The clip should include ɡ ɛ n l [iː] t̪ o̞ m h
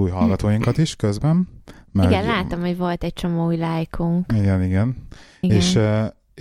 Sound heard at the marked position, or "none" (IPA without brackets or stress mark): aː